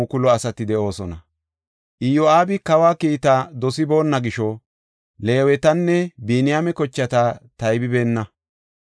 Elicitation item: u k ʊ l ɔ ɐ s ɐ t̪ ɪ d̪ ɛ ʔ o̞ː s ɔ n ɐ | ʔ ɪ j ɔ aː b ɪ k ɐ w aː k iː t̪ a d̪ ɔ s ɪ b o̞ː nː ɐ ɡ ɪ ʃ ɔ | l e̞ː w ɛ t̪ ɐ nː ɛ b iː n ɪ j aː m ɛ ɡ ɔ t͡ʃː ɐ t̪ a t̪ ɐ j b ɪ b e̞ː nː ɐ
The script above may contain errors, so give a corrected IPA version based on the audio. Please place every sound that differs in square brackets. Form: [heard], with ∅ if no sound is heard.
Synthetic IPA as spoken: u k ʊ l ɔ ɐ s ɐ t̪ ɪ d̪ ɛ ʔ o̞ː s ɔ n ɐ | ʔ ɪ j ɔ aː b ɪ k ɐ w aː k iː t̪ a d̪ ɔ s ɪ b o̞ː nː ɐ ɡ ɪ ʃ ɔ | l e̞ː w ɛ t̪ ɐ nː ɛ b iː n ɪ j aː m ɛ [k] ɔ t͡ʃː ɐ t̪ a t̪ ɐ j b ɪ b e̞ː nː ɐ

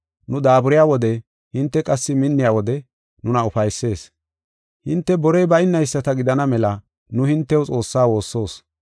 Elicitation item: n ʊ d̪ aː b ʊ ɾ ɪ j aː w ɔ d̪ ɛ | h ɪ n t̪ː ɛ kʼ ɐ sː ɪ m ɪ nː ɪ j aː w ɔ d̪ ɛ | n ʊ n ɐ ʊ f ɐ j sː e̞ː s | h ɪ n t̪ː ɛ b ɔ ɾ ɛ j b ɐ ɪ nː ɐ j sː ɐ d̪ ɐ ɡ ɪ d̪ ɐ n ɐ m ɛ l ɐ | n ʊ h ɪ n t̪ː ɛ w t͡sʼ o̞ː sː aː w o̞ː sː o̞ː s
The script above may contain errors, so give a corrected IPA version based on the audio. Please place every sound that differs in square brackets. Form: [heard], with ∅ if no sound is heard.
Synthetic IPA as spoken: n ʊ d̪ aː b ʊ ɾ ɪ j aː w ɔ d̪ ɛ | h ɪ n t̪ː ɛ kʼ ɐ sː ɪ m ɪ nː ɪ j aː w ɔ d̪ ɛ | n ʊ n ɐ ʊ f ɐ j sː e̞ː s | h ɪ n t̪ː ɛ b ɔ ɾ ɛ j b ɐ ɪ nː ɐ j sː ɐ [t̪] ɐ ɡ ɪ d̪ ɐ n ɐ m ɛ l ɐ | n ʊ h ɪ n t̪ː ɛ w t͡sʼ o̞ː sː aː w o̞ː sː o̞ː s

